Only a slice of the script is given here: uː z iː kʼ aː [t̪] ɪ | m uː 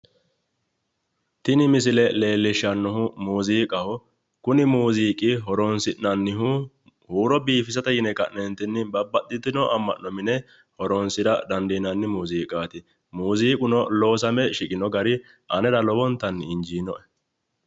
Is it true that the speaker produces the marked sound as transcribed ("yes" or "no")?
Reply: yes